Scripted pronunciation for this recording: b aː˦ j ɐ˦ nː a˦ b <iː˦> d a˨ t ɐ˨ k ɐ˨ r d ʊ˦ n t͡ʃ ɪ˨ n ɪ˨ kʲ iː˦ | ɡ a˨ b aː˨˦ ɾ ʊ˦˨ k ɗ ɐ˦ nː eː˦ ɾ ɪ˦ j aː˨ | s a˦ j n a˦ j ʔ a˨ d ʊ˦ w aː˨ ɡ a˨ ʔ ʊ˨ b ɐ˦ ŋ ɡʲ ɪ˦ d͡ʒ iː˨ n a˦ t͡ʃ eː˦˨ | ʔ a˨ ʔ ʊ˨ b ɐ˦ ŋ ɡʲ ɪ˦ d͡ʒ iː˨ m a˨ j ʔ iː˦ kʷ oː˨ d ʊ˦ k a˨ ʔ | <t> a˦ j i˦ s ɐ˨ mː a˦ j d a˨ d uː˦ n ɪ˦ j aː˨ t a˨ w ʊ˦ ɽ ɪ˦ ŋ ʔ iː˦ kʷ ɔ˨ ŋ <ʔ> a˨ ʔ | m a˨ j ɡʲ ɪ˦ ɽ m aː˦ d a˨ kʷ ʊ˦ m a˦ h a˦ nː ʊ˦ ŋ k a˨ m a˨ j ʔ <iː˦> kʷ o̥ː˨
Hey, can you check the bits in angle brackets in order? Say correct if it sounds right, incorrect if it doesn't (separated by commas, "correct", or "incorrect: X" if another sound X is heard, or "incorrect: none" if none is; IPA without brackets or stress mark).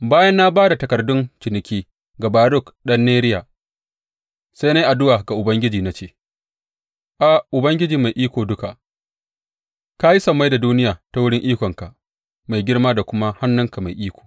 incorrect: aː˦, incorrect: k, incorrect: k, correct